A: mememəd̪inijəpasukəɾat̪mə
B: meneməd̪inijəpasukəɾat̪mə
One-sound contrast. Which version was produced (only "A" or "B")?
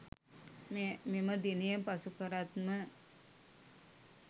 A